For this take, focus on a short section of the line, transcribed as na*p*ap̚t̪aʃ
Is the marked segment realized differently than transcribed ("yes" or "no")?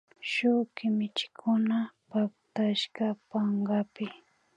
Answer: no